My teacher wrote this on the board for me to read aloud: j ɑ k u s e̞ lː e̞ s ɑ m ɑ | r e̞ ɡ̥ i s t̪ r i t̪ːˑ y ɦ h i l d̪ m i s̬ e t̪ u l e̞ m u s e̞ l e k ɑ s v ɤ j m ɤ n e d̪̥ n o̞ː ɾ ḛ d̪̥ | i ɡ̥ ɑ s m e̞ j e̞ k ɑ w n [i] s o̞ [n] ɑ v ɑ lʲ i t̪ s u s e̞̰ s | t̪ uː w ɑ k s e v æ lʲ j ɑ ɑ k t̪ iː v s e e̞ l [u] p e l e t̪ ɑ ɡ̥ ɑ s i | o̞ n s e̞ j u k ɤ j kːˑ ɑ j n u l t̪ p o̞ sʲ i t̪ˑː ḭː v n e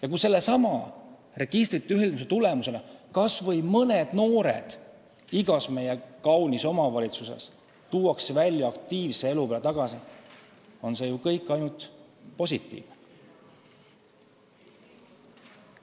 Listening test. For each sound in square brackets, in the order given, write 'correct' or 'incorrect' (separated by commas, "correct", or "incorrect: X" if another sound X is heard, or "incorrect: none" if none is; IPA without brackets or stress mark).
correct, incorrect: m, correct